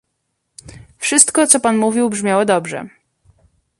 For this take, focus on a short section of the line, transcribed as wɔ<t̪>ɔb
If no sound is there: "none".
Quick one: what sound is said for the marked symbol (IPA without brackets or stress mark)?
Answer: d̪